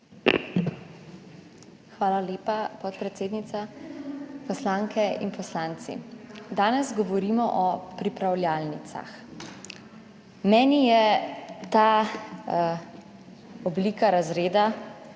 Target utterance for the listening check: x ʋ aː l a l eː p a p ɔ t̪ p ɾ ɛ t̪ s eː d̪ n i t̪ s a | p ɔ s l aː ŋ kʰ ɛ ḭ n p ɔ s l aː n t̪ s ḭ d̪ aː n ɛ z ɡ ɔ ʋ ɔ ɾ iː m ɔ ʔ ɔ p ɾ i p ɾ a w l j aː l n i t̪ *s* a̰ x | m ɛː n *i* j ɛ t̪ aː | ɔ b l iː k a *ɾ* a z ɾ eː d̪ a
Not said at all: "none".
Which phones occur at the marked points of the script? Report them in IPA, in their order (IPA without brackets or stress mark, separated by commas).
s, i, ɾ